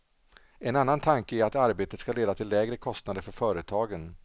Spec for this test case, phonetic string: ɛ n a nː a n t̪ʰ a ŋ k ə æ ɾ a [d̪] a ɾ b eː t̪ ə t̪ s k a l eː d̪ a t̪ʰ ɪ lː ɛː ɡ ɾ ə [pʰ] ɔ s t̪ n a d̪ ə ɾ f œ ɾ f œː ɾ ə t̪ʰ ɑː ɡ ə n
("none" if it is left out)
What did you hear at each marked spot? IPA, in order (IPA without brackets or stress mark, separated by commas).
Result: t̪, kʰ